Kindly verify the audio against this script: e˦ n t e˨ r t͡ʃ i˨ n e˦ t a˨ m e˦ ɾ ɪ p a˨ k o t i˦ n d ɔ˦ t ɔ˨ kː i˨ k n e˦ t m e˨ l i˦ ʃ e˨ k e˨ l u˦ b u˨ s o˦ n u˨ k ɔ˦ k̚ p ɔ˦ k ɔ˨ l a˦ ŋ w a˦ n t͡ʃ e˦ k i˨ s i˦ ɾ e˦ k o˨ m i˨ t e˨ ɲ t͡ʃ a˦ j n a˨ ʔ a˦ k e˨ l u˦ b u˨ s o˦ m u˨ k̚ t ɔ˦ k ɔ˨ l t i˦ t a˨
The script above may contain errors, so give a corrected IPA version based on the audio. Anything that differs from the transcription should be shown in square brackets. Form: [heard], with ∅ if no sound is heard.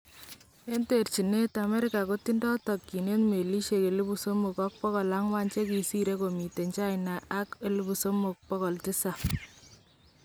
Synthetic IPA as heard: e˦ n t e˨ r t͡ʃ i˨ n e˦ t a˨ m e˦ ɾ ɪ [k] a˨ k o t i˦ n d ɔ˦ t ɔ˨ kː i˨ [∅] n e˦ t m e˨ l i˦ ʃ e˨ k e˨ l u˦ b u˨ s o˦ [m] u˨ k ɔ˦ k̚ p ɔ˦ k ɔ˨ l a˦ ŋ w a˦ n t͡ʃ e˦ k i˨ s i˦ ɾ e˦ k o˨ m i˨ t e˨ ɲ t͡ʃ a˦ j n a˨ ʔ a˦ k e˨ l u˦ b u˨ s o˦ m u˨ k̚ [p] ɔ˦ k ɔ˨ l t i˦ [s] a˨